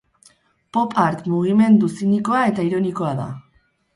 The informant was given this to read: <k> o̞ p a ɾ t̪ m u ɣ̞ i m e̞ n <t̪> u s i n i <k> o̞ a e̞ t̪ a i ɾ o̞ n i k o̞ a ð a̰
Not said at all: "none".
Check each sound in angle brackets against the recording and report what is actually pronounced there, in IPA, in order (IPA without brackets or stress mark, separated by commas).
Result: p, d̪, k